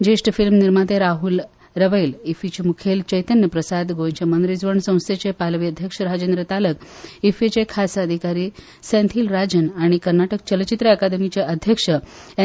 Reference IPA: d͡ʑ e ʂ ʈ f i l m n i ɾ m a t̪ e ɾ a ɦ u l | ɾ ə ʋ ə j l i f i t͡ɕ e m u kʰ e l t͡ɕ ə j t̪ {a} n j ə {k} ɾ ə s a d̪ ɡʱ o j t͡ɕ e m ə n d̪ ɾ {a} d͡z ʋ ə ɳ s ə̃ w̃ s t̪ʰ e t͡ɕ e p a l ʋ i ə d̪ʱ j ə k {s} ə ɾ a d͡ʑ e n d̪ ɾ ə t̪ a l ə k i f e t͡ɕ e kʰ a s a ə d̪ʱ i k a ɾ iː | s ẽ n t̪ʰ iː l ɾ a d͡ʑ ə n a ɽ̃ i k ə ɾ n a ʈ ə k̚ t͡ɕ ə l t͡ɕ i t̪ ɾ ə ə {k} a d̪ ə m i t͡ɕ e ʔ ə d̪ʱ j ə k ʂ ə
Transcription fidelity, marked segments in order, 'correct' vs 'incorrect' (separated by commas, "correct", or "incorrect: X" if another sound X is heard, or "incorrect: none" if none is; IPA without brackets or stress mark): incorrect: ə, incorrect: p, incorrect: i, incorrect: ʂ, correct